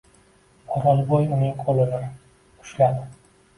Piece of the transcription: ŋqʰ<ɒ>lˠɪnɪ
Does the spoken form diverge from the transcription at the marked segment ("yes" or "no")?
yes